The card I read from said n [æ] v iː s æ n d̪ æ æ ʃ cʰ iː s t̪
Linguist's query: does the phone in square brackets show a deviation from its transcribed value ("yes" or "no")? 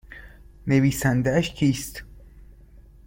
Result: yes